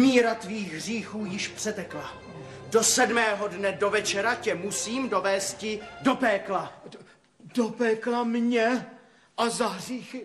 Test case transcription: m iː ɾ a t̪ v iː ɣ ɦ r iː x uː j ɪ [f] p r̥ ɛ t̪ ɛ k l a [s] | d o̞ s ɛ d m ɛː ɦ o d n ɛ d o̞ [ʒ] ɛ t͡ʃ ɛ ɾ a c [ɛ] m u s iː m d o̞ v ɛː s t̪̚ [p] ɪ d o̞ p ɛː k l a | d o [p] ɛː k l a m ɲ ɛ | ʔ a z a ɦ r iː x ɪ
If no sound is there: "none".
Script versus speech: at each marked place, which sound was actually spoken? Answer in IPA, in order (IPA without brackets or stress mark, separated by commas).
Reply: ʃ, none, v, ɛ, c, p